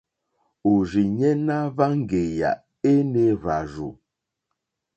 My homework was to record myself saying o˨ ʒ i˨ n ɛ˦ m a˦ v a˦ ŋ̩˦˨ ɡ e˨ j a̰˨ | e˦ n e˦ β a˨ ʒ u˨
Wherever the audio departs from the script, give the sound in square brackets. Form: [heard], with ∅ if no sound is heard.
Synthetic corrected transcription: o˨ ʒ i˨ [ɲ] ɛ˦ [n] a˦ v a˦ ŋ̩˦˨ ɡ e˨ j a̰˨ | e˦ n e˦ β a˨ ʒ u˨